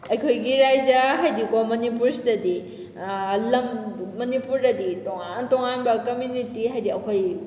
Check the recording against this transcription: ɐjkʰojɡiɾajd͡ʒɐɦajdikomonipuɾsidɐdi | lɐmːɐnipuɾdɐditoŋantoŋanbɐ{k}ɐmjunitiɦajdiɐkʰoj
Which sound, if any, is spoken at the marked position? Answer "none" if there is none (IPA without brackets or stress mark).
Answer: k